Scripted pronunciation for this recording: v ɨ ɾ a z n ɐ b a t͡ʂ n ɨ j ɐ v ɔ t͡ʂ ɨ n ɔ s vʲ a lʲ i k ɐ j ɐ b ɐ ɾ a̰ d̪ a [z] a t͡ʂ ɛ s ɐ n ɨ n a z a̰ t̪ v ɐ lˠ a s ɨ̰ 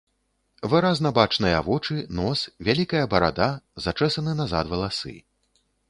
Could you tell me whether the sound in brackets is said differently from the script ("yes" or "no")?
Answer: no